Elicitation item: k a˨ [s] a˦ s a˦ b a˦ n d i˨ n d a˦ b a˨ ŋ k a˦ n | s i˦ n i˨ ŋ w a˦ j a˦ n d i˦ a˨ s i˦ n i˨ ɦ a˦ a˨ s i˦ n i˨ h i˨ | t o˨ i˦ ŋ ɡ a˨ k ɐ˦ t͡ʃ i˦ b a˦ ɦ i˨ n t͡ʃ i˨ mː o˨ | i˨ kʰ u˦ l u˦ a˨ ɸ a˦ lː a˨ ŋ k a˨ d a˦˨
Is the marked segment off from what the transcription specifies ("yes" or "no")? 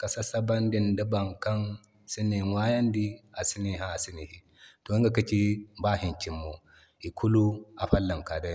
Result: no